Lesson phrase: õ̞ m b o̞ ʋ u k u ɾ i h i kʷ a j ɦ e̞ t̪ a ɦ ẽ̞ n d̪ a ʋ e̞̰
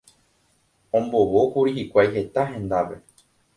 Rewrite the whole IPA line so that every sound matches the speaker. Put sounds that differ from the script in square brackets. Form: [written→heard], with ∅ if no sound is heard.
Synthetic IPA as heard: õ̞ m b o̞ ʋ [u→o] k u ɾ i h i kʷ a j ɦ e̞ t̪ a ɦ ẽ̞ n d̪ a ʋ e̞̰